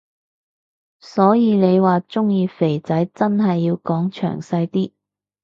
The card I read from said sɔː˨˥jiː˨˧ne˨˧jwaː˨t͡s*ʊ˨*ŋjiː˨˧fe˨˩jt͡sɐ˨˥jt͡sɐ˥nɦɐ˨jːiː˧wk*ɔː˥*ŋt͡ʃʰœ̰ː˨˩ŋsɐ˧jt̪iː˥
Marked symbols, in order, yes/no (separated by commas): no, no